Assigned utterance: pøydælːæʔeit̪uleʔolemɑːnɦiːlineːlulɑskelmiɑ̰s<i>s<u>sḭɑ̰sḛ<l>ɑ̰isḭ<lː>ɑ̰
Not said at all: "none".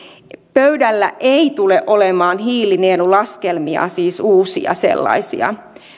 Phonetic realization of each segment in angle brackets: iː, uː, lː, none

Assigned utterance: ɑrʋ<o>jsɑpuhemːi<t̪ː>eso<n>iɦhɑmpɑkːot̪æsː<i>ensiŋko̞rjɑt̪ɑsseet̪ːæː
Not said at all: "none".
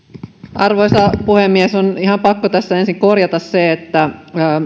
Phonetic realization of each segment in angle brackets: o, none, n, æ

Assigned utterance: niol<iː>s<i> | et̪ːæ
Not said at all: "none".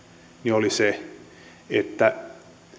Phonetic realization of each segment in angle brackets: i, e

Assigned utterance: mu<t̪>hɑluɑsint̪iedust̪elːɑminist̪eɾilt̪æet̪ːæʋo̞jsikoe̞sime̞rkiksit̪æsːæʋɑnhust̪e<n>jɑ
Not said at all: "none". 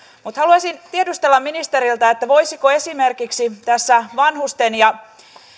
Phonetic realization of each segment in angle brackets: t̪, n

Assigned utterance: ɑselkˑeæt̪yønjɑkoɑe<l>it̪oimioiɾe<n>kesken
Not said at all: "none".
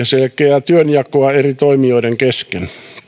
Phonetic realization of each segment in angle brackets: r, ŋ

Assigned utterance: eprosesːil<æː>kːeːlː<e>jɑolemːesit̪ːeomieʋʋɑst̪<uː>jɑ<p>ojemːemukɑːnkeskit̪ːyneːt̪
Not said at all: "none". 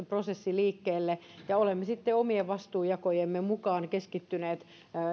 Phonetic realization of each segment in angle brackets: iː, e, uː, k

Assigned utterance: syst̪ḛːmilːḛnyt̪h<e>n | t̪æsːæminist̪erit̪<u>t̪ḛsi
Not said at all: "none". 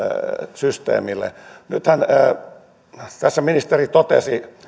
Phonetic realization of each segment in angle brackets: æ, o

